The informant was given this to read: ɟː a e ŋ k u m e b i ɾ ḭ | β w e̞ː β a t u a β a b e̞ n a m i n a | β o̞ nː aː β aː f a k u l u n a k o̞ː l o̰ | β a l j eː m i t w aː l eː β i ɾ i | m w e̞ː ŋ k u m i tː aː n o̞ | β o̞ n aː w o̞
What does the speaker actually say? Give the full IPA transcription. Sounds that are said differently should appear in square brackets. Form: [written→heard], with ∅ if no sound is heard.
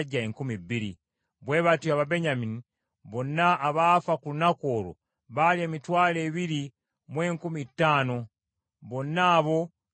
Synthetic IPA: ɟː a e ŋ k u m [e→i] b i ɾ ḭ | β w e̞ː β a t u a β a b e̞ [n→ɲ] a m i n [a→i] | β o̞ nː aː β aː f a k u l u n a k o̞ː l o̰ | β a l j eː m i t w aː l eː β i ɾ i | m w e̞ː ŋ k u m i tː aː n o̞ | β o̞ n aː [w→β] o̞